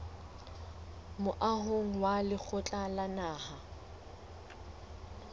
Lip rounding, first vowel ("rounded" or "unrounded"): rounded